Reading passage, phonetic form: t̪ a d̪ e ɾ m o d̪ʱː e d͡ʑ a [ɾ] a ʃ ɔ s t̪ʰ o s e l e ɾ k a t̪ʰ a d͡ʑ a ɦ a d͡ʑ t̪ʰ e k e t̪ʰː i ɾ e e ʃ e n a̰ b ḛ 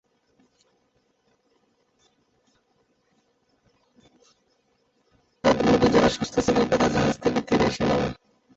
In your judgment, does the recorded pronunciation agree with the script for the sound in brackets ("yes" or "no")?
yes